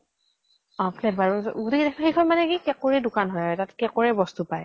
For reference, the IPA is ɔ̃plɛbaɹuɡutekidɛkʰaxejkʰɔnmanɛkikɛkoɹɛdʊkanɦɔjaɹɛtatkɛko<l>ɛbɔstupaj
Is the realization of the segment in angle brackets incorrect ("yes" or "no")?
yes